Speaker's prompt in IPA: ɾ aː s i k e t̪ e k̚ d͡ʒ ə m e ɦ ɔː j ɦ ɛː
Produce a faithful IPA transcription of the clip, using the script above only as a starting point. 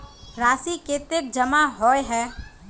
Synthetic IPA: ɾ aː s i k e t̪ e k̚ d͡ʒ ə m a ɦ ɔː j ɦ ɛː